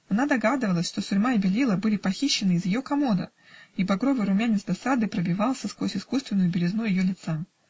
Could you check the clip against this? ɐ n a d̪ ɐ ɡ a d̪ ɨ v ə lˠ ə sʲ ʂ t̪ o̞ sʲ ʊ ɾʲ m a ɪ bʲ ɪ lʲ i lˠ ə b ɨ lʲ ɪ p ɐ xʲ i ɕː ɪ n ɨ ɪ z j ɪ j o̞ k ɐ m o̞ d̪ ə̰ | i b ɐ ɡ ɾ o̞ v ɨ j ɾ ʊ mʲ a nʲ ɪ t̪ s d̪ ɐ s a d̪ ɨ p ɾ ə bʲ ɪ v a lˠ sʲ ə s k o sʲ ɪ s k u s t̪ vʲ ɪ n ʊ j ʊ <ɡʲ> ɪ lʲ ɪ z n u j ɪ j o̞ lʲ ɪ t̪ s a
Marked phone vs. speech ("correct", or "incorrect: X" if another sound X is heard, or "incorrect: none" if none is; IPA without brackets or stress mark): incorrect: bʲ